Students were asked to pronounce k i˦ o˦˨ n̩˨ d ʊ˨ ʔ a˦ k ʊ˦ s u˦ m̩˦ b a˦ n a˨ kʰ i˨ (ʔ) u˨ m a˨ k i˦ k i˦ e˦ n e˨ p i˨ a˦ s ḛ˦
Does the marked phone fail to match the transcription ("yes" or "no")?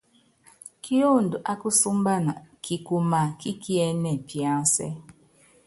yes